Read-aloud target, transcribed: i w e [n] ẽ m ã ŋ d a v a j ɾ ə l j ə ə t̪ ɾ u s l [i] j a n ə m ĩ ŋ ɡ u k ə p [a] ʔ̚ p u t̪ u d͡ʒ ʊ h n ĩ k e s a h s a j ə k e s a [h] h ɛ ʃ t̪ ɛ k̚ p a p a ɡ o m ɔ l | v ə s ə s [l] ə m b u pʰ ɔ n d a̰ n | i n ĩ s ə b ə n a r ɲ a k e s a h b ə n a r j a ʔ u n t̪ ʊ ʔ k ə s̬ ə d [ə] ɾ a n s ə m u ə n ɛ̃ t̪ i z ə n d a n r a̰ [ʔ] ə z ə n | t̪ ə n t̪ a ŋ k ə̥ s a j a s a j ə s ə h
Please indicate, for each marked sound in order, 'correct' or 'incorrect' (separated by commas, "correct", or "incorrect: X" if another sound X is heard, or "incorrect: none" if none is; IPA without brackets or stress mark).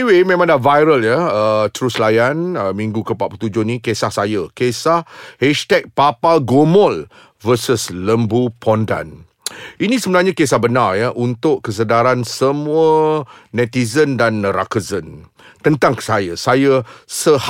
incorrect: m, incorrect: a, correct, correct, correct, incorrect: a, incorrect: k